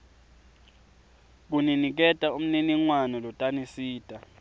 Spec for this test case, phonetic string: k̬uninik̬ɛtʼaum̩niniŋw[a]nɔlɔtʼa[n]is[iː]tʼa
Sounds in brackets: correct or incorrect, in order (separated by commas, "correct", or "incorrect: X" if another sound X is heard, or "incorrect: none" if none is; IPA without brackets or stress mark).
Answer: correct, correct, correct